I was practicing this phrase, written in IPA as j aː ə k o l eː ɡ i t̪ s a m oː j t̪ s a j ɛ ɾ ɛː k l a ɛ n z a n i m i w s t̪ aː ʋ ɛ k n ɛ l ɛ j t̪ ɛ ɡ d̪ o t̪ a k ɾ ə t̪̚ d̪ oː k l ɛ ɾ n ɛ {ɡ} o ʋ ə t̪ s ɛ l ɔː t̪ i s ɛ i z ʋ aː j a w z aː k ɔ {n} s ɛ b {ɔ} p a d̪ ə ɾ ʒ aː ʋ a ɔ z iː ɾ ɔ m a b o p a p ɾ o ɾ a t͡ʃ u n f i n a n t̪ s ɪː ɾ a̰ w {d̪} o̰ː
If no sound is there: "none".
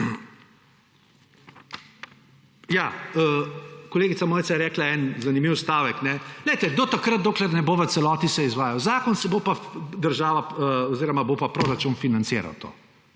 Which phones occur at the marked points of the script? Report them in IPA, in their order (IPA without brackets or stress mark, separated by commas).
b, n, o, t̪